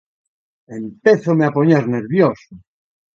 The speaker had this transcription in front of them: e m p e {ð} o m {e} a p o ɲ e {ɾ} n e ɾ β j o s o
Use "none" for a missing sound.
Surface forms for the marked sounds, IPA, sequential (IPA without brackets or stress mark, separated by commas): θ, e, ɾ